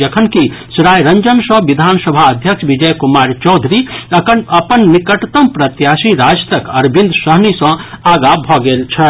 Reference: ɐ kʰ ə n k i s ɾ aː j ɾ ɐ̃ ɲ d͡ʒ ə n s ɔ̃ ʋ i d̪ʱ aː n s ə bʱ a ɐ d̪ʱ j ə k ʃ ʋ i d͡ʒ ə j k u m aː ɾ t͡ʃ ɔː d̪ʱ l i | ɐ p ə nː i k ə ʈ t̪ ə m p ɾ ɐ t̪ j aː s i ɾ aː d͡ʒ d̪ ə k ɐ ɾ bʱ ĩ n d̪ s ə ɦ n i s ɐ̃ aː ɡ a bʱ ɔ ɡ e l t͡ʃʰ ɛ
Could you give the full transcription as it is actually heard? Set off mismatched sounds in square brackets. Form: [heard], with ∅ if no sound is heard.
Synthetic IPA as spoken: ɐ kʰ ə n k i s ɾ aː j ɾ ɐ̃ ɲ d͡ʒ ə n s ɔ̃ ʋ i d̪ʱ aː n s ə bʱ a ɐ d̪ʱ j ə k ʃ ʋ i d͡ʒ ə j k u m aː ɾ t͡ʃ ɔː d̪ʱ [ɾ] i | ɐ p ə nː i k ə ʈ t̪ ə m p ɾ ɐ t̪ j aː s i ɾ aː d͡ʒ [t̪] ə k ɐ ɾ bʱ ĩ n d̪ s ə ɦ n i s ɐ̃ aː ɡ a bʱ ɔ ɡ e l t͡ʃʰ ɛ